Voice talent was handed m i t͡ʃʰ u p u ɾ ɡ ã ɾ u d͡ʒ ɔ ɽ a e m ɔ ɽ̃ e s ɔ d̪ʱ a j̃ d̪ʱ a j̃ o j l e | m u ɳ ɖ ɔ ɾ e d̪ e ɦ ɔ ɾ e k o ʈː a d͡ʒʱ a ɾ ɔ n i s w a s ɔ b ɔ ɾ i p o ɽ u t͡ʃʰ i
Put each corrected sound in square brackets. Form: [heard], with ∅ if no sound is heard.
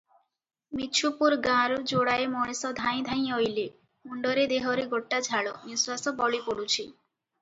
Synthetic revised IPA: m i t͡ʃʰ u p u ɾ ɡ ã ɾ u d͡ʒ [o] ɽ a e m ɔ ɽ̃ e s ɔ d̪ʱ a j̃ d̪ʱ a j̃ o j l e | m u ɳ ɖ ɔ ɾ e d̪ e ɦ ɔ ɾ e [ɡ] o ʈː a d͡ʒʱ a [ɭ] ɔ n i s w a s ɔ b ɔ [ɭ] i p o ɽ u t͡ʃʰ i